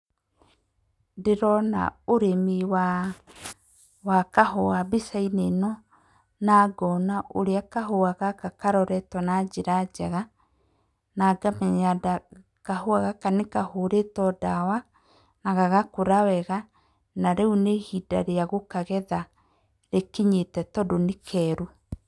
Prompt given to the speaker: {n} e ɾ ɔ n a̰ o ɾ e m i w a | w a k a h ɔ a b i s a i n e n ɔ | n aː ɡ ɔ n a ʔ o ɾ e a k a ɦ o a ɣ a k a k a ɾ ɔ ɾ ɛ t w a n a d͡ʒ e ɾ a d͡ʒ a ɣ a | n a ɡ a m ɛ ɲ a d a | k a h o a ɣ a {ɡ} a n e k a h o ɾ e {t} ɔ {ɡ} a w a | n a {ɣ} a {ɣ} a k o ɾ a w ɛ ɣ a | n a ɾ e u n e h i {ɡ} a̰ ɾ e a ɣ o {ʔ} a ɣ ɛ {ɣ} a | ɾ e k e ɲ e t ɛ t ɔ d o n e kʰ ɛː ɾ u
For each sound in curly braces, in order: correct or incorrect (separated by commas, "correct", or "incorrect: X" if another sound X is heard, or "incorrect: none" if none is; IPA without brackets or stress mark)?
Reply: incorrect: d, incorrect: k, correct, incorrect: d, correct, correct, incorrect: d, incorrect: k, incorrect: ð